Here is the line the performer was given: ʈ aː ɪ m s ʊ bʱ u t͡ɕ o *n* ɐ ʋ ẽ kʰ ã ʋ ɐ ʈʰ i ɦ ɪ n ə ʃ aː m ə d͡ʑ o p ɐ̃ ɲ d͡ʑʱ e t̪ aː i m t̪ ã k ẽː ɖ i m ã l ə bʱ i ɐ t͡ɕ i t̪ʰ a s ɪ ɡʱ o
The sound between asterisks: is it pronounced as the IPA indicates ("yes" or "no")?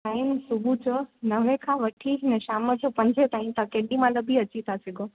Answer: yes